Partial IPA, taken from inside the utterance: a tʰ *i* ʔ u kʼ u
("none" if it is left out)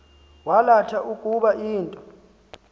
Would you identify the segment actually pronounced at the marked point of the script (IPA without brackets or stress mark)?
a